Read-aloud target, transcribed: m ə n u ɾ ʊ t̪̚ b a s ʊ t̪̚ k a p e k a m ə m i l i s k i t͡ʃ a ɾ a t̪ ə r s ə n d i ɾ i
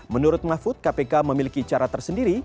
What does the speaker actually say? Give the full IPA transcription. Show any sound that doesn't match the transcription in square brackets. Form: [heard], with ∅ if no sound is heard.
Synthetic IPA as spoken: m ə n u ɾ ʊ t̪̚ [m] a [f] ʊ t̪̚ k a p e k a m ə m i l i [∅] k i t͡ʃ a ɾ a t̪ ə r s ə n d i ɾ i